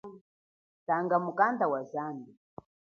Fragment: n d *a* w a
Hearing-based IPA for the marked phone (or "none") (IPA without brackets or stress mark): a